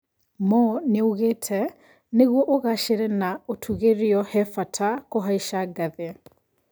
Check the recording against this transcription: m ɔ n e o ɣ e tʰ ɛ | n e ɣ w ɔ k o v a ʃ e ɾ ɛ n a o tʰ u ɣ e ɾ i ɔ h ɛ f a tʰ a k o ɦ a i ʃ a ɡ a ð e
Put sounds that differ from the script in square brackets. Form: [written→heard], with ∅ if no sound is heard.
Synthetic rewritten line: m ɔ n e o ɣ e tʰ ɛ | n e ɣ w ɔ [k→ʔ] o [v→ɣ] a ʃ e ɾ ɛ n a o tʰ u ɣ e ɾ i ɔ h ɛ f a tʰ a k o ɦ a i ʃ a ɡ a ð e